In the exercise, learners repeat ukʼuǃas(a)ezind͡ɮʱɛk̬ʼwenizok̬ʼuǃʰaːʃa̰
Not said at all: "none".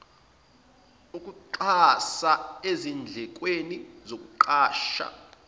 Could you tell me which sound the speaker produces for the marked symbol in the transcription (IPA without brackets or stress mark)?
a